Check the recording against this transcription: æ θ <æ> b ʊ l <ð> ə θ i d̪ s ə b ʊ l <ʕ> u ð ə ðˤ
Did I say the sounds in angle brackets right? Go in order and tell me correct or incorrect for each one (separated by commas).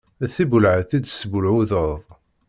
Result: incorrect, incorrect, correct